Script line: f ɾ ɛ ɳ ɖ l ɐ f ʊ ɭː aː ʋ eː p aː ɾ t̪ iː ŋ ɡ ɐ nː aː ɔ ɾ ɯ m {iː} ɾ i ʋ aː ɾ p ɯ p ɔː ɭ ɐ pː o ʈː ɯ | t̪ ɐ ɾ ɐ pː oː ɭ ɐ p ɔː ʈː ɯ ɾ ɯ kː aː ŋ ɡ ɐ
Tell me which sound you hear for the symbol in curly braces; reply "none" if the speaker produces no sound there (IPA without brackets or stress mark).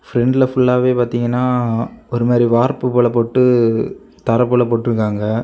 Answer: aː